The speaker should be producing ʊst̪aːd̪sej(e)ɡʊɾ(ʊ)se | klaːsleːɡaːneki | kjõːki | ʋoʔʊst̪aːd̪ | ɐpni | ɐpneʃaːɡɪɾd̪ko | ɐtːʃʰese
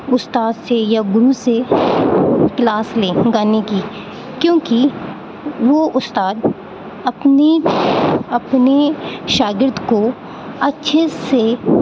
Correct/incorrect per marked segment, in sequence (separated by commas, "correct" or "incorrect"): incorrect, incorrect